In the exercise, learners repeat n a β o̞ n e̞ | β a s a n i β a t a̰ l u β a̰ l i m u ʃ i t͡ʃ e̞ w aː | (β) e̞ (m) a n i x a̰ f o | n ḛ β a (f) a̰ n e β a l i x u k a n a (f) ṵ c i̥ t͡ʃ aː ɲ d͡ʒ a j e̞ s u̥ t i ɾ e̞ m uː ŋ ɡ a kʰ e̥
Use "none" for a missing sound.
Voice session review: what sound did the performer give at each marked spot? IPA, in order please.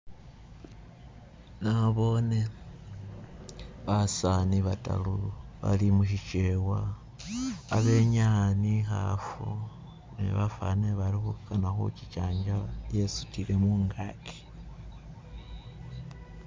β, ɲ, f, x

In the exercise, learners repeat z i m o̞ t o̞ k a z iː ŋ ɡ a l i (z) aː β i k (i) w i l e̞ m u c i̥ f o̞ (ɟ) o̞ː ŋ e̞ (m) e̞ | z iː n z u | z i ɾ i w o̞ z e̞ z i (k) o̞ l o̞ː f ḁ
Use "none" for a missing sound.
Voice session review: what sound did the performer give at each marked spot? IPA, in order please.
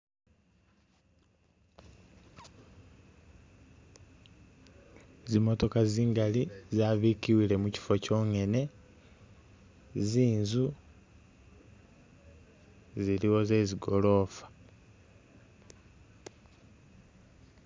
z, i, c, n, ɡ

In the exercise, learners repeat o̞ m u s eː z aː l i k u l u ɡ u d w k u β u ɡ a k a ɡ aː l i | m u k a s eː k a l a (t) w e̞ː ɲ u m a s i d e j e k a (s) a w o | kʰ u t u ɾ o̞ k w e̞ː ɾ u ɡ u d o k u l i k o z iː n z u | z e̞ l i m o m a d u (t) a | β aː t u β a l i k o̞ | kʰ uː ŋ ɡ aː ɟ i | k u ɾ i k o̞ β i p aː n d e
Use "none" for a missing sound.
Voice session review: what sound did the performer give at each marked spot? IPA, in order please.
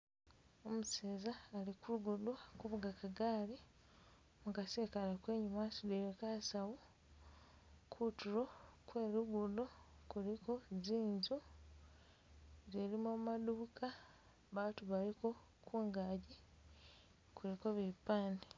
k, s, k

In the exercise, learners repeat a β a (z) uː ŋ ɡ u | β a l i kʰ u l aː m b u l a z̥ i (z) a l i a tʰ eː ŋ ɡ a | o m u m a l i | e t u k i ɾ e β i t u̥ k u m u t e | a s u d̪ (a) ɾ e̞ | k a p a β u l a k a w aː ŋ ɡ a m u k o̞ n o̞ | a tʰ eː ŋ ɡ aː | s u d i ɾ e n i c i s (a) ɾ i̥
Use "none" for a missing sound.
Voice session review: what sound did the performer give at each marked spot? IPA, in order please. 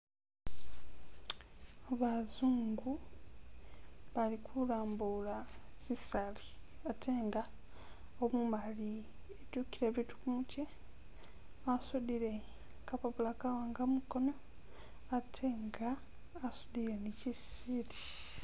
z, s, i, i

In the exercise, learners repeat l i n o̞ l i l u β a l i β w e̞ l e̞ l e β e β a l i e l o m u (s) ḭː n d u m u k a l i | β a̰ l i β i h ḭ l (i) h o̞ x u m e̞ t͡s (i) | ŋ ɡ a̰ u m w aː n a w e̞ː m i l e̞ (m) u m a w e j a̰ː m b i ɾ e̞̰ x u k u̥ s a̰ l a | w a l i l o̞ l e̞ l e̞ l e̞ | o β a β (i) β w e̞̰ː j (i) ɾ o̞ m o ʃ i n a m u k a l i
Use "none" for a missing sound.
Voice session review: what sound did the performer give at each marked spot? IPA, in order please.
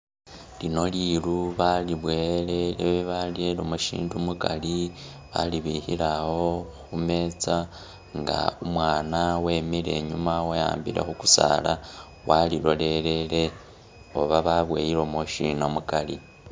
ʃ, a, a, ɲ, a, i

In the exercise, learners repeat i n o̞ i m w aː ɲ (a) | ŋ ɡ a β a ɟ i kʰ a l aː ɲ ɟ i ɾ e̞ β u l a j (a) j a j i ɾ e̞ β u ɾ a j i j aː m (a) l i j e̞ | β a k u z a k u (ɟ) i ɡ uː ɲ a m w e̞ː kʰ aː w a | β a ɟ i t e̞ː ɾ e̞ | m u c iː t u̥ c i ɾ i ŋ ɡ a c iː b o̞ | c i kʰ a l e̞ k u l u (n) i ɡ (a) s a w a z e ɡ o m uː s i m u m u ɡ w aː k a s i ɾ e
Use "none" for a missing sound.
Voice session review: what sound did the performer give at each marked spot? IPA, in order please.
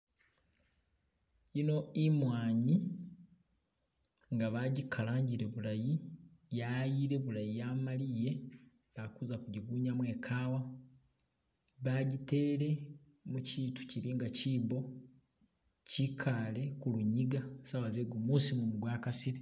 i, i, a, ɟ, ɲ, a

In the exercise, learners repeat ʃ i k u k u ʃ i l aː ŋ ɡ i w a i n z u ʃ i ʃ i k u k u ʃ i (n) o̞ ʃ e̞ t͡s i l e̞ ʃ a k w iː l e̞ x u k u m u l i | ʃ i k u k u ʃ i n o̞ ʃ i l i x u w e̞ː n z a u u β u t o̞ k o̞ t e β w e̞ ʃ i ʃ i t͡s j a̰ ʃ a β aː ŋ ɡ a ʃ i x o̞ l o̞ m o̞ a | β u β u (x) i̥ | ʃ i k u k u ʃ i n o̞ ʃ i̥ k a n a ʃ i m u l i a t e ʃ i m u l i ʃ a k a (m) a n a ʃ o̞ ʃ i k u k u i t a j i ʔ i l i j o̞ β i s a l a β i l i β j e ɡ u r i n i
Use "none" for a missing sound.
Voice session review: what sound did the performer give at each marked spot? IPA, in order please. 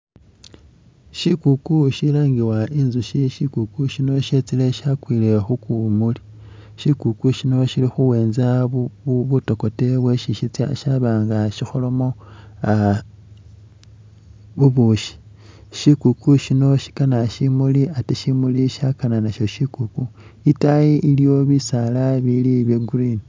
n, ʃ, n

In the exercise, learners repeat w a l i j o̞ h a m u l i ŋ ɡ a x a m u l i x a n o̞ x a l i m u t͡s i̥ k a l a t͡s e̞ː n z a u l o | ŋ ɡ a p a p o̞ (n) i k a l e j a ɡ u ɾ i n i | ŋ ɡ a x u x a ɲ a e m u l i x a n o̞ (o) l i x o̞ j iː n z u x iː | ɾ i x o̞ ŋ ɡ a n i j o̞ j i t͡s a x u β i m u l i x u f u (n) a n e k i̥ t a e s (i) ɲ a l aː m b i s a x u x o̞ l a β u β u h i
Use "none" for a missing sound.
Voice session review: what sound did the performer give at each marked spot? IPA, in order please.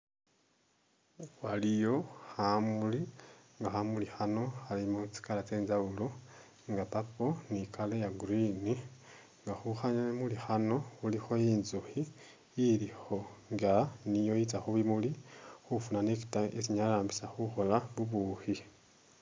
n, u, n, i

